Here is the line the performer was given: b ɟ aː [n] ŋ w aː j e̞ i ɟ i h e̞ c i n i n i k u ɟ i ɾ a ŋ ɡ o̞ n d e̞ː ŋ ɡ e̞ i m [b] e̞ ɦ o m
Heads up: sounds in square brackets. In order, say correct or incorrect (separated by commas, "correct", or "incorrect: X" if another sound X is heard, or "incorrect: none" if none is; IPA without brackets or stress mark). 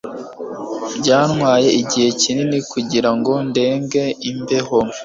correct, correct